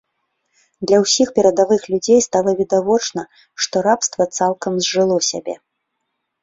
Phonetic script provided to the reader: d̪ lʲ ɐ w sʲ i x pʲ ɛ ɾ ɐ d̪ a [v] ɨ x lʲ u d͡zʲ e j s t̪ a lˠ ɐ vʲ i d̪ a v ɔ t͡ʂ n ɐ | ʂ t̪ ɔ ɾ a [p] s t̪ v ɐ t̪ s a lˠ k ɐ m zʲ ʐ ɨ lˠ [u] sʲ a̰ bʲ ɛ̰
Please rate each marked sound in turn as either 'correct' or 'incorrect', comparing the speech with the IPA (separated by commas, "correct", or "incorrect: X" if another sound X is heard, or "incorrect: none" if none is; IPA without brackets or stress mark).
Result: correct, correct, incorrect: ɔ